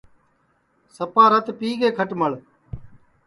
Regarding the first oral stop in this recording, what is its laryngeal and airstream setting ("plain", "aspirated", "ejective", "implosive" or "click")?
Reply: plain